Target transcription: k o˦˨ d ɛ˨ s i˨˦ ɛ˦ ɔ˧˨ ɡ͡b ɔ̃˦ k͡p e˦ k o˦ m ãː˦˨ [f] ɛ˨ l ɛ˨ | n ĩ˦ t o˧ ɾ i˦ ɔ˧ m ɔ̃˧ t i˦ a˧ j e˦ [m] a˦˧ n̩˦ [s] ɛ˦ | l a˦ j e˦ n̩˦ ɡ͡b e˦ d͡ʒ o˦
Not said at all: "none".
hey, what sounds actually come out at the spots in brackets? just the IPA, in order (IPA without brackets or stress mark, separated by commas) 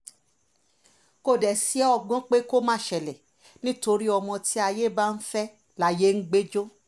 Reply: ʃ, b, f